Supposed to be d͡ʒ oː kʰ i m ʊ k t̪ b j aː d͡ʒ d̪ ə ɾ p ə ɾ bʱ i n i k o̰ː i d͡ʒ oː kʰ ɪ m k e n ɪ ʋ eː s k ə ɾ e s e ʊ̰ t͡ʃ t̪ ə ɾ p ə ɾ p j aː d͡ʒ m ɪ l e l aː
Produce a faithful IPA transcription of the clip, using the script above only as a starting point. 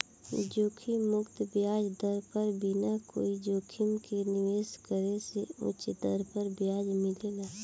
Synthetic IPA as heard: d͡ʒ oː kʰ i m ʊ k t̪ b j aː d͡ʒ d̪ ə ɾ p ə ɾ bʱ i n a k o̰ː i d͡ʒ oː kʰ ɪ m k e n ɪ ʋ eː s k ə ɾ e s e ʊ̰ t͡ʃ d̪ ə ɾ p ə ɾ b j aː d͡ʒ m ɪ l e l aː